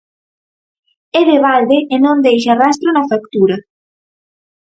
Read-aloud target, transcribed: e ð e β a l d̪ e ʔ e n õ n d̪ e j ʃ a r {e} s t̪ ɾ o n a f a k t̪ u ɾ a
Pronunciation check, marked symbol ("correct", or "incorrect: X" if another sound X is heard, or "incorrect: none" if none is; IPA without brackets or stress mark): incorrect: a